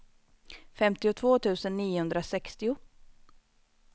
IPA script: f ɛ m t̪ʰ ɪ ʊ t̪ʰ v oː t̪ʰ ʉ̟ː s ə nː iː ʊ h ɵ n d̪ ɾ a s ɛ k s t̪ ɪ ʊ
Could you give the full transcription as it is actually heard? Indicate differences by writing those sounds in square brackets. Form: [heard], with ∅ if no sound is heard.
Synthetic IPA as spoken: f ɛ m [t̪] ɪ ʊ t̪ʰ v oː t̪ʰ ʉ̟ː s ə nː iː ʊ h ɵ n d̪ ɾ a s ɛ k s t̪ ɪ ʊ